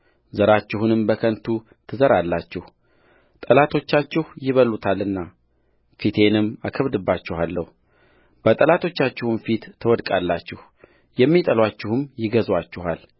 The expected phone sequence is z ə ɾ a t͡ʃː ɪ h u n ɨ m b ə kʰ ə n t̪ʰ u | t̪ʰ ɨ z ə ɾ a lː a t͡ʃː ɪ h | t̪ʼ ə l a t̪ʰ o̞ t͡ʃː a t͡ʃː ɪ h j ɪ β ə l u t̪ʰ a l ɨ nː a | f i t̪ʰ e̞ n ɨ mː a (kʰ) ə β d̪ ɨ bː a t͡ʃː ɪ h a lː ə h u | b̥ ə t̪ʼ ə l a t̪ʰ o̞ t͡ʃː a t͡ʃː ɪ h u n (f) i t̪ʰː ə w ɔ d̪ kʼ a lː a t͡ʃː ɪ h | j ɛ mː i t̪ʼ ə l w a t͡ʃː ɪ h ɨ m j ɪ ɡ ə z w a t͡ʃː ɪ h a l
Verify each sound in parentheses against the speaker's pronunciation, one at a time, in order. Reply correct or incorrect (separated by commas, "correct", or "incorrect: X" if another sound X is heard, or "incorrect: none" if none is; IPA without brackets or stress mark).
correct, correct